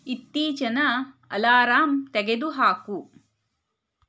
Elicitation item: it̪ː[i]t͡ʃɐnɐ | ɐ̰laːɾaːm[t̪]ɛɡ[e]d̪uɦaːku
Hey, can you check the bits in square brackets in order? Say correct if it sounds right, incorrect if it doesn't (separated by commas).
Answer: incorrect, correct, correct